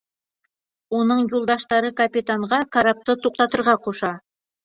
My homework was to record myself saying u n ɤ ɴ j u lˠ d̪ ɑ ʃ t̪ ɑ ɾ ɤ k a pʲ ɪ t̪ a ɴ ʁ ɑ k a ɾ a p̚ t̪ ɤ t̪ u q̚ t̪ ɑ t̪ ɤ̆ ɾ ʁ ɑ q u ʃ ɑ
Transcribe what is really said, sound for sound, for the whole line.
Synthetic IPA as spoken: u n ɤ ɴ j u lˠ d̪ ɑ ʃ t̪ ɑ ɾ ɤ k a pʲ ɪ t̪ a ɴ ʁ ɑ k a ɾ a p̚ t̪ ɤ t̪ u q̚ t̪ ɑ t̪ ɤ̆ ɾ ʁ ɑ q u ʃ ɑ